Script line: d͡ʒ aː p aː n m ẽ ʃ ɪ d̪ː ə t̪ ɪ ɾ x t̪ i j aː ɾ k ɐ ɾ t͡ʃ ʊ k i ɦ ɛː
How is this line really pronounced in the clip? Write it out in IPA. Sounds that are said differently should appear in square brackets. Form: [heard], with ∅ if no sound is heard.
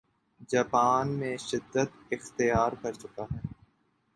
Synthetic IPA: d͡ʒ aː p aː n m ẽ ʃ ɪ d̪ː ə t̪ ɪ [∅] x t̪ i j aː ɾ k ɐ ɾ t͡ʃ ʊ k [a] ɦ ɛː